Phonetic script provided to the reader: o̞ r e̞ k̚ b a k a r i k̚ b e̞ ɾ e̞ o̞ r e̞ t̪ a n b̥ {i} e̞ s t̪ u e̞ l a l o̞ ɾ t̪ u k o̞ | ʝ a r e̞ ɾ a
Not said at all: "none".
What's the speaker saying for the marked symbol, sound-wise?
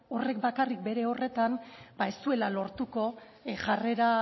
a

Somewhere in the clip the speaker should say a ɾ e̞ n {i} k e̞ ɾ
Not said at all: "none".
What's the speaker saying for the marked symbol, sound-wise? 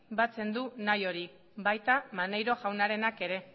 a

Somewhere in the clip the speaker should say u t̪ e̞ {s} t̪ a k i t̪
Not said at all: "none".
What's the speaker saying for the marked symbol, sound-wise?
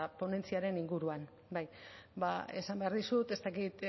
s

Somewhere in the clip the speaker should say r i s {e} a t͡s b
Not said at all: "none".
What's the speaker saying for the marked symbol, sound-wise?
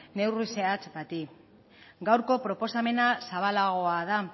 e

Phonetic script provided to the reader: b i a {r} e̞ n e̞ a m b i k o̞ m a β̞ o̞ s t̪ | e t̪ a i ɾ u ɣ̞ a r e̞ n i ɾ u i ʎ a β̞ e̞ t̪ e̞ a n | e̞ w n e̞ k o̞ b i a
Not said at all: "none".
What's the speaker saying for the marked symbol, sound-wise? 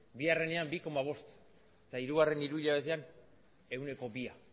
r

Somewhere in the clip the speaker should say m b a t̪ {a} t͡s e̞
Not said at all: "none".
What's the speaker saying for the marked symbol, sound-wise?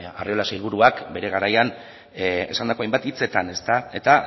i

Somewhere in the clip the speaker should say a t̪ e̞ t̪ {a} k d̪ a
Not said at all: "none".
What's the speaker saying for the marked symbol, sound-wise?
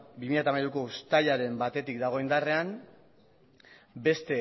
i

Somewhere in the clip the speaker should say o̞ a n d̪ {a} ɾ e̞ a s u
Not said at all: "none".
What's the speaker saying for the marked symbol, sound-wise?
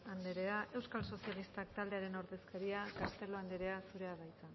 e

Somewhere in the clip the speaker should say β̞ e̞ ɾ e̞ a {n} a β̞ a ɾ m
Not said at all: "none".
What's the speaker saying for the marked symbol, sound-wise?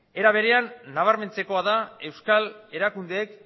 nː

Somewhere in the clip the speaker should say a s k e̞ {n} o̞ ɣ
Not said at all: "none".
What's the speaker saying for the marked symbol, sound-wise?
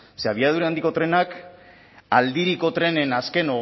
n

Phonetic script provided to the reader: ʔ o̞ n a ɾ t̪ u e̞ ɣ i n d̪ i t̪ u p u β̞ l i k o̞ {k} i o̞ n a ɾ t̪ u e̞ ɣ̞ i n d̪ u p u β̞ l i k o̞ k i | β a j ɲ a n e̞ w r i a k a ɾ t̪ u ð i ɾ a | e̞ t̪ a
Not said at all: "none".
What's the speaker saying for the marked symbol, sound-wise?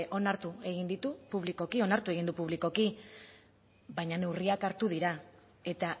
k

